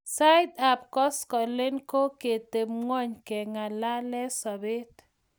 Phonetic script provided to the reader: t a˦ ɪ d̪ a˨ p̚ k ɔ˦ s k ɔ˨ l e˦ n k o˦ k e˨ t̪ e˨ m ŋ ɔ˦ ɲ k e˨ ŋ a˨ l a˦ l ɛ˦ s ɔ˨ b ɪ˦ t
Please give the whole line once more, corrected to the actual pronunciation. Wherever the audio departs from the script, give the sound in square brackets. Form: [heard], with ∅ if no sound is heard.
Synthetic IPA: [s] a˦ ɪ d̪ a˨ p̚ k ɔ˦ s k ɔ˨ l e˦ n k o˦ k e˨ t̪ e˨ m ŋ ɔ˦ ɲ k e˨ ŋ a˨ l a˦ l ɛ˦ s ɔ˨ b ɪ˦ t